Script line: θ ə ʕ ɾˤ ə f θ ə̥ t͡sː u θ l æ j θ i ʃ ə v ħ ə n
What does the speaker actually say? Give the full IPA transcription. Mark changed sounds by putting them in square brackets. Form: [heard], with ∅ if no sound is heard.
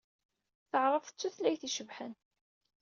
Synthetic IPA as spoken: θ ə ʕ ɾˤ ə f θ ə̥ t͡sː u θ l æ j θ i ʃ ə v ħ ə n